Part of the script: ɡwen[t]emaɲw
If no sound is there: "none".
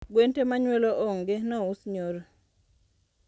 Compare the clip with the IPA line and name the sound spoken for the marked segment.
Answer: t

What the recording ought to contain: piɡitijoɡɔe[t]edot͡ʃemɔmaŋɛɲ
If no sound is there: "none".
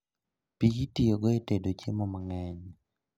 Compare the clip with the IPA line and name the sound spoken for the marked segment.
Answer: t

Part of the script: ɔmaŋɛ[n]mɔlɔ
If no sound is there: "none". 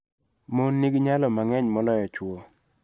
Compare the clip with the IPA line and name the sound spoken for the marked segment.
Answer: ɲ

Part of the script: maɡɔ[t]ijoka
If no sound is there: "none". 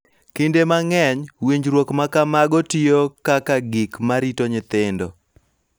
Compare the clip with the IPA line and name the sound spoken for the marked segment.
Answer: t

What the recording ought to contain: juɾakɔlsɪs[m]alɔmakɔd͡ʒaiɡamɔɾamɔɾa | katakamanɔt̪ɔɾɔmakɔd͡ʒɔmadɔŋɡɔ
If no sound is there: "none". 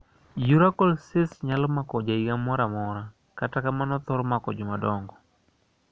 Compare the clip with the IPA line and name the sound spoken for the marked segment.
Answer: ɲ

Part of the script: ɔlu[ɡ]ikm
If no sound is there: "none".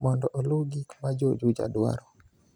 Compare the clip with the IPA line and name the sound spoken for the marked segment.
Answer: ɡ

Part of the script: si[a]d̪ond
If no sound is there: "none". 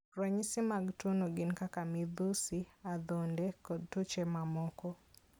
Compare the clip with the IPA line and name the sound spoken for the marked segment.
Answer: a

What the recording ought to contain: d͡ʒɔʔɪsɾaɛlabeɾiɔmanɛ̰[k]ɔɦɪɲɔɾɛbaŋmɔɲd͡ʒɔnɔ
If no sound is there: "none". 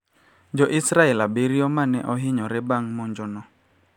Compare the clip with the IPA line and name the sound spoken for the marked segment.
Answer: ʔ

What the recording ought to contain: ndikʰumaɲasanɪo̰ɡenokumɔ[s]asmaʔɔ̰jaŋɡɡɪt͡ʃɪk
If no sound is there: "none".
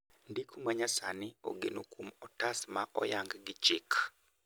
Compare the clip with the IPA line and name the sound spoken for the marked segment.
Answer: t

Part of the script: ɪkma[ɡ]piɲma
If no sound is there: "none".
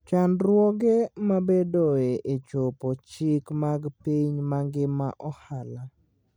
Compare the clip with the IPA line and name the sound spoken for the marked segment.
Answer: ɡ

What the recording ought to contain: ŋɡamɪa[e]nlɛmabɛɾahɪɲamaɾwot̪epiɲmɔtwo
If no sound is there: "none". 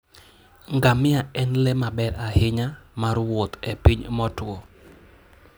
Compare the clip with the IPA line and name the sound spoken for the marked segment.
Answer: ɛ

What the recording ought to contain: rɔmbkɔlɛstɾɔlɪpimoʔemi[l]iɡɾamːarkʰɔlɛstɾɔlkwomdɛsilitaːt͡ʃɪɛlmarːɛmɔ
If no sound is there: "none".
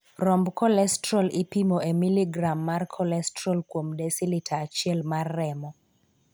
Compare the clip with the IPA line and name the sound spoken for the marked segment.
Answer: l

